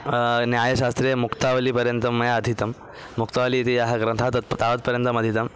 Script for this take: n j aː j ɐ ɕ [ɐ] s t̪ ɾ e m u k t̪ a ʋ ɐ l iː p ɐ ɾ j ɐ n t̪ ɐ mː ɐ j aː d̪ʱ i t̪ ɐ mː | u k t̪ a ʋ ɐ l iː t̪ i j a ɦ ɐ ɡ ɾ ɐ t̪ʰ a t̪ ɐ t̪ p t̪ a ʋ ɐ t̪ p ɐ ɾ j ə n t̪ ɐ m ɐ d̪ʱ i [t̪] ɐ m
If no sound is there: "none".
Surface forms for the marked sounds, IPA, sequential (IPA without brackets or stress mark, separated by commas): a, t̪